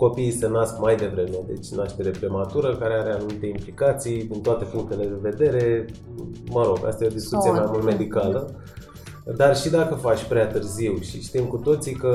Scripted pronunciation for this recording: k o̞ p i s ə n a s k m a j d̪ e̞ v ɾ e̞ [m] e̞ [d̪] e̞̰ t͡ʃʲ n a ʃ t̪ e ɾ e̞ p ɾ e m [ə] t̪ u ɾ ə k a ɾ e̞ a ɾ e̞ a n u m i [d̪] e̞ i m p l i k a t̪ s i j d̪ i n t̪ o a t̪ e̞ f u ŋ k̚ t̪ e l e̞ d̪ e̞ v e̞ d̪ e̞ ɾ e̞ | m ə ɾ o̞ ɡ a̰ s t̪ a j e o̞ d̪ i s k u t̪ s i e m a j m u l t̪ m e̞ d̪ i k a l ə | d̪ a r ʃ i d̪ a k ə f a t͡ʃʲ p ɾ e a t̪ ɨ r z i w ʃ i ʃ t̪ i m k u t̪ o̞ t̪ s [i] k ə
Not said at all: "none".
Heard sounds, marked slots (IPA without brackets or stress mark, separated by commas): m, d̪, a, t̪, i